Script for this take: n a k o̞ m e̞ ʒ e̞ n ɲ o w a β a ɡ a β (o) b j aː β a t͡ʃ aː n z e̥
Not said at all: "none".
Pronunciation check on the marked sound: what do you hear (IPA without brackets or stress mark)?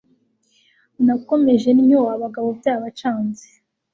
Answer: o